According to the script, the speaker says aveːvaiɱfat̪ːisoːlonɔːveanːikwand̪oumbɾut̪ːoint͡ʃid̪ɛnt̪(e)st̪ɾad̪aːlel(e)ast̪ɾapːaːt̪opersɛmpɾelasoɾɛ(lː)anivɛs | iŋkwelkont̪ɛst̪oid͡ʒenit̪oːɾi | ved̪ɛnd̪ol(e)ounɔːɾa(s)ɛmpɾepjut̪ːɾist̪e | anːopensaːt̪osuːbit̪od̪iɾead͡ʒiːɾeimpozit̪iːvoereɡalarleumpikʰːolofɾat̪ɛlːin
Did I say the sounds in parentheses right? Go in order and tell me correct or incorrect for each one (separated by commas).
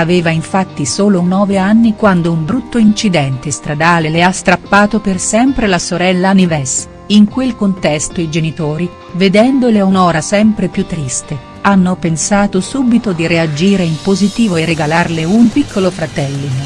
correct, correct, correct, correct, correct